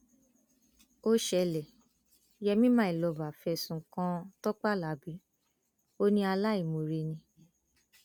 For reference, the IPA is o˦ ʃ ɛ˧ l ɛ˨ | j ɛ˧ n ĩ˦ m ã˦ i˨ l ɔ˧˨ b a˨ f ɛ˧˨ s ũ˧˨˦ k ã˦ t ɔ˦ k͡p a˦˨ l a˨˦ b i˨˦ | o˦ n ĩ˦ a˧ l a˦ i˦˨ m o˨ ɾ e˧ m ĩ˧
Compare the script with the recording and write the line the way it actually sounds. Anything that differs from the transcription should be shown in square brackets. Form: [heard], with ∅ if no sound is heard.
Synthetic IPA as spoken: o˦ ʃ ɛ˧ l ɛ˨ | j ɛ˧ [m] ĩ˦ m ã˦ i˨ l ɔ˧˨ b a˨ f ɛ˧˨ s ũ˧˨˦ k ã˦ t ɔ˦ k͡p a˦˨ l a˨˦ b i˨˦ | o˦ n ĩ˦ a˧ l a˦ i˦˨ m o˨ ɾ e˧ [n] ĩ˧